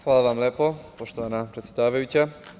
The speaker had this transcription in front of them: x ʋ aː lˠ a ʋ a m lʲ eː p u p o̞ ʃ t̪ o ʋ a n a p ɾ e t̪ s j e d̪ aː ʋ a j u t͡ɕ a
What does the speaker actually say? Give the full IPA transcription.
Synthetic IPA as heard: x ʋ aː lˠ a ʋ a m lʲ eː p o p o̞ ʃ t̪ o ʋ a n a p ɾ e t̪ s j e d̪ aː ʋ a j u t͡ɕ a